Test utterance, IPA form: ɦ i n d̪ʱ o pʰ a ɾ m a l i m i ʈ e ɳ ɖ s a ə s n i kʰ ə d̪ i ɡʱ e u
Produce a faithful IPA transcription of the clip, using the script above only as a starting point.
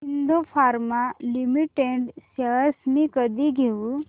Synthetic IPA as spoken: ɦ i n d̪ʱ o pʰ a ɾ m a l i m i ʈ e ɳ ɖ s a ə s m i k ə d̪ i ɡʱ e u